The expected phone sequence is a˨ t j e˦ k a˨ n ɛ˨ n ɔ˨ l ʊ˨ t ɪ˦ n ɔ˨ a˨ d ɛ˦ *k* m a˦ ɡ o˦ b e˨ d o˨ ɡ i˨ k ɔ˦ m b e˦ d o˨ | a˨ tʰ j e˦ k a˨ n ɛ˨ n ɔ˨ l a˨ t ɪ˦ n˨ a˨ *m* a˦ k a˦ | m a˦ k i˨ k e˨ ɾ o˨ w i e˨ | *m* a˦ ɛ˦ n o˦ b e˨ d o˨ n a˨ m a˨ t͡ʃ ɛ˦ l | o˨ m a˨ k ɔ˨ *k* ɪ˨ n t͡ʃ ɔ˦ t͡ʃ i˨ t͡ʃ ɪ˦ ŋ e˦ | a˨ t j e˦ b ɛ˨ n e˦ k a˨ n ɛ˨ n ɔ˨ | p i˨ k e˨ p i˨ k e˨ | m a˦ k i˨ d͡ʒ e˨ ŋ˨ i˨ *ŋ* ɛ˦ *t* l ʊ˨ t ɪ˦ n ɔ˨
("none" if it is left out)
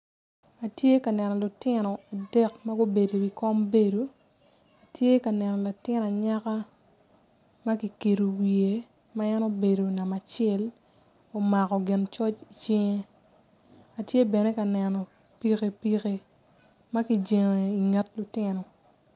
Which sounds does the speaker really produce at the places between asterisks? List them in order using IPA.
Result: k, ɲ, m, ɡ, ŋ, t

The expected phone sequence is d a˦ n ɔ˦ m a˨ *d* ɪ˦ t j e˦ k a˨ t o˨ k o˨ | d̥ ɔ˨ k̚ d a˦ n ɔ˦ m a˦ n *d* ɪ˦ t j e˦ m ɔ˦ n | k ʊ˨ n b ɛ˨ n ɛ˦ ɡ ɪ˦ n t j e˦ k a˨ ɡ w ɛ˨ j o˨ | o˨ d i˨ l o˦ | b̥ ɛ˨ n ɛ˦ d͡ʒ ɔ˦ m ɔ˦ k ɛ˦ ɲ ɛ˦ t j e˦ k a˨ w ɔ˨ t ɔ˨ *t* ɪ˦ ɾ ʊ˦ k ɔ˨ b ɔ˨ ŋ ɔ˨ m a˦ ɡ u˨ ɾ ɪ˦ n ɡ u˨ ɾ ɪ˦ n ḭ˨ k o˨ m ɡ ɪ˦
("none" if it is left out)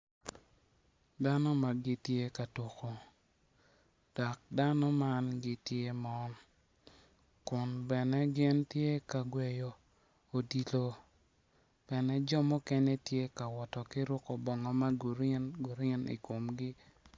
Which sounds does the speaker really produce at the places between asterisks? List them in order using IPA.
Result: ɡ, ɡ, k

